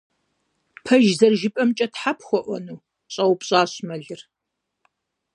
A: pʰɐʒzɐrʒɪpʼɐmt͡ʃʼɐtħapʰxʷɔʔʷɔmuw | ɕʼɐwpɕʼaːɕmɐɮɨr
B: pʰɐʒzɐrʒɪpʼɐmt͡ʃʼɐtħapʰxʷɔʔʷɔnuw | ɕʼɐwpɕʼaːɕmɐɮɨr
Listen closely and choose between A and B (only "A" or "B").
B